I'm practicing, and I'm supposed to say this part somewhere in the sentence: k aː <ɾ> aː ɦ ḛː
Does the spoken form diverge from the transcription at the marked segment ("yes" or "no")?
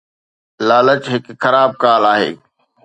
yes